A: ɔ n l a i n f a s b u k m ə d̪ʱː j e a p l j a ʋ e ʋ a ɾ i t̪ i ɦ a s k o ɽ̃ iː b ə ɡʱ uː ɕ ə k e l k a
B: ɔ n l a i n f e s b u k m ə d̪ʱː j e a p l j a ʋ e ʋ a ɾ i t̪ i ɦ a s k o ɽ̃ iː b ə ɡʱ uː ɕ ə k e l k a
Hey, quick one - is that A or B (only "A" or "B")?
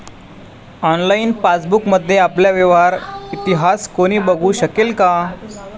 A